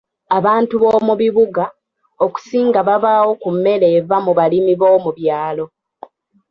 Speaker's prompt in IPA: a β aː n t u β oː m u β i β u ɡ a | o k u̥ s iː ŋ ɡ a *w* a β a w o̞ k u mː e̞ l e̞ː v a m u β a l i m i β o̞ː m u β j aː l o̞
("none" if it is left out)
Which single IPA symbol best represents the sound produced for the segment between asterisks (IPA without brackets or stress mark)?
β